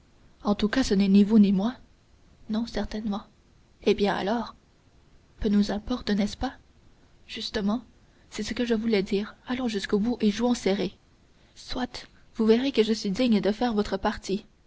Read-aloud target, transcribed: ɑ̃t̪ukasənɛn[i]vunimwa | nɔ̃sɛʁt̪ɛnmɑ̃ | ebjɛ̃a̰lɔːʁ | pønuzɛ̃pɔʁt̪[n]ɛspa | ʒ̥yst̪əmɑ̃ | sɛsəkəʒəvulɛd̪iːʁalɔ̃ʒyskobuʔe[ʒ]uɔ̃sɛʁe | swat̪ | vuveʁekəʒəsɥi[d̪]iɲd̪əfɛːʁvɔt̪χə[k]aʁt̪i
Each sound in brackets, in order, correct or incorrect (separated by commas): correct, correct, correct, correct, incorrect